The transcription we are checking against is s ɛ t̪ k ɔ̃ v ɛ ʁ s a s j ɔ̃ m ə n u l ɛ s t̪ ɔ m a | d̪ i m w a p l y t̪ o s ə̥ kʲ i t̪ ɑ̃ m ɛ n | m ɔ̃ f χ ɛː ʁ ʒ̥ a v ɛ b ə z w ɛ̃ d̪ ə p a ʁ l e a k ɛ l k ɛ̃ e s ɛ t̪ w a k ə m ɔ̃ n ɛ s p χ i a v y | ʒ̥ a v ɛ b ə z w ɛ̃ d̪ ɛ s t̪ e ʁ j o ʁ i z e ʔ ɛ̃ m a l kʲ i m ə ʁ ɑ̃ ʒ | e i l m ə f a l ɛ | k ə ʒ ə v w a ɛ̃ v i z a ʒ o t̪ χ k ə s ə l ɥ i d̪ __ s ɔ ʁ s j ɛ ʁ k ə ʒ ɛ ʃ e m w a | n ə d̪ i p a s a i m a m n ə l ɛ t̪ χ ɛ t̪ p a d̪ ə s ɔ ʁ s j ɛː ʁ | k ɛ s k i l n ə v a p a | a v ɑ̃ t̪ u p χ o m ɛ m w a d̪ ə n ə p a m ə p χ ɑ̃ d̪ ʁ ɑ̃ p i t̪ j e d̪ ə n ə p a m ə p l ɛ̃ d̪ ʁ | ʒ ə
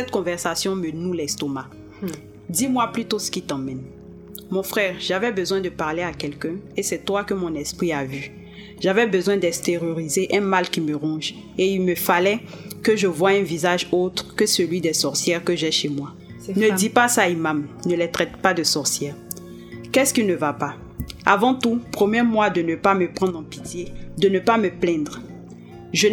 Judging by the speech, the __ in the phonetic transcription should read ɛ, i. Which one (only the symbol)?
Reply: ɛ